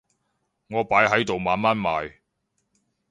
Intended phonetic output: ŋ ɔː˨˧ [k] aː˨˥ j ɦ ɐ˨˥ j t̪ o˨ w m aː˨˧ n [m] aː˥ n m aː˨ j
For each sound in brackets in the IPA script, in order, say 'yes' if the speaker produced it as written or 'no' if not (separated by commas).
no, yes